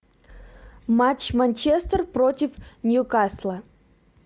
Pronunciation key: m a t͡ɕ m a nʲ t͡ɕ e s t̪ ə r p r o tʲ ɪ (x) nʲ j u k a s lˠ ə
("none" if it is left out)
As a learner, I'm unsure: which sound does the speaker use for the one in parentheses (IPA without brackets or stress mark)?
f